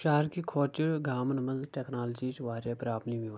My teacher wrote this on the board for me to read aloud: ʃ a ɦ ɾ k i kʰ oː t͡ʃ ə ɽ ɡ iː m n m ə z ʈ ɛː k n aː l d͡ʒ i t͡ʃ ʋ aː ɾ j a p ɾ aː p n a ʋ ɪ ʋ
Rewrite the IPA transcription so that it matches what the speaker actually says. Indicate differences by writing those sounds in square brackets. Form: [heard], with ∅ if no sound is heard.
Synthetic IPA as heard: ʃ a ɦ ɾ k i kʰ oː t͡ʃ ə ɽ ɡ [aː] m n m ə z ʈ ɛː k n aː l d͡ʒ i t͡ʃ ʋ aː ɾ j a p ɾ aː p n [i] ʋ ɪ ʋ